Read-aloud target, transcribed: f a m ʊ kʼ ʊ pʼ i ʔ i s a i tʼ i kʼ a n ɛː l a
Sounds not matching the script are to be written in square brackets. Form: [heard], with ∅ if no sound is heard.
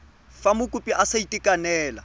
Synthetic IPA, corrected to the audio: f a m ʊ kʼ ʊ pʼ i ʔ [a] s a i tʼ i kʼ a n ɛː l a